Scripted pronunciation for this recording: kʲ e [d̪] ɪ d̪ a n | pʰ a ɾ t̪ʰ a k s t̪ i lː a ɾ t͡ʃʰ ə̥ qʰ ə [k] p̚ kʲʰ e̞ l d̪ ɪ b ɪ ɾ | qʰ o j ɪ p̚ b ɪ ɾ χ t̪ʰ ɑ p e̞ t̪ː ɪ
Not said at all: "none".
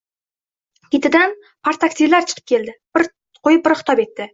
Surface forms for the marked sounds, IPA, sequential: t̪, none

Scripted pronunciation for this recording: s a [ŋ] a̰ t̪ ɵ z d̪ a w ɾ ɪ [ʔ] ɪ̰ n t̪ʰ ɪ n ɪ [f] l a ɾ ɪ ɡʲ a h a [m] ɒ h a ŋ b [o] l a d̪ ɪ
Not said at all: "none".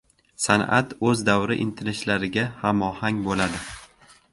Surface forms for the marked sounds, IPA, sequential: n, ʔ, ʃ, m, o

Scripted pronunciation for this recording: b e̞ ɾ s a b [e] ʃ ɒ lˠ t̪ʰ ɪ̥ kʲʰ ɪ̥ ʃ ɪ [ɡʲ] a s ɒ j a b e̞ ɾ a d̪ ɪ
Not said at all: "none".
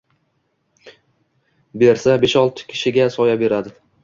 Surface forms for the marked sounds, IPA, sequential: e, ɡʲ

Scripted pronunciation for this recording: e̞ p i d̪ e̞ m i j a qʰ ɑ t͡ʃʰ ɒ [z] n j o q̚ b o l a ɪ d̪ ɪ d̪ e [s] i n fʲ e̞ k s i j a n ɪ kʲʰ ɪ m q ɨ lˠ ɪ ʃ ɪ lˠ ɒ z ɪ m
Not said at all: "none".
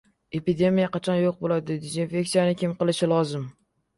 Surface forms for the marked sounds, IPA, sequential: none, z

